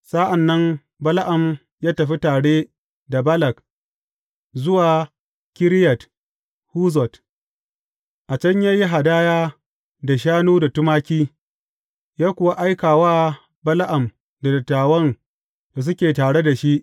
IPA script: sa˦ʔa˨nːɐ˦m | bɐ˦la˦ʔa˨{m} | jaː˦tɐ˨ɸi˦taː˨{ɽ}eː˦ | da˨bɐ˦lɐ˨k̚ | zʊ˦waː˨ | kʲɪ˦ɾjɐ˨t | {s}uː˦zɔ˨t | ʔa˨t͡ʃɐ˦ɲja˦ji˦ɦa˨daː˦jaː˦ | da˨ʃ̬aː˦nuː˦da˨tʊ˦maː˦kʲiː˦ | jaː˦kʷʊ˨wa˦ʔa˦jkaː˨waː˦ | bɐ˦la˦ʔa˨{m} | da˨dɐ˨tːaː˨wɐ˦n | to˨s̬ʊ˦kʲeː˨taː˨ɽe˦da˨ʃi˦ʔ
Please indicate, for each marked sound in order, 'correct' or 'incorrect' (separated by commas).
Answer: correct, correct, incorrect, correct